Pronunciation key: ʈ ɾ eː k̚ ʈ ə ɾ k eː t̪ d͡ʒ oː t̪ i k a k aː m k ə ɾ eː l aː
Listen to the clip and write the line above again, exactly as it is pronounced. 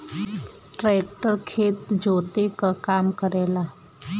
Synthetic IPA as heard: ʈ ɾ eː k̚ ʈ ə ɾ kʰ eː t̪ d͡ʒ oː t̪ e k a k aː m k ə ɾ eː l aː